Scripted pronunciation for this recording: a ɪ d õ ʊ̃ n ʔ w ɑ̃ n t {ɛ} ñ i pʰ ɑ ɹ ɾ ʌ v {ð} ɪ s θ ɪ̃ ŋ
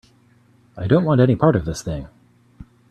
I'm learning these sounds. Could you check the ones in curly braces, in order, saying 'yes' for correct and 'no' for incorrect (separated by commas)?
yes, yes